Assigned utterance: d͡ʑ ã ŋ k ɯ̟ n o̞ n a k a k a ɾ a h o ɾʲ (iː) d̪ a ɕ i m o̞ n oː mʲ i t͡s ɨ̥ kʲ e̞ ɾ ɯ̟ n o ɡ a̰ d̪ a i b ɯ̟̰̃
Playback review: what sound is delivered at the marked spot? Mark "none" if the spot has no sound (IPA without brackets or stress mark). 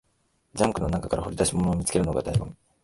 i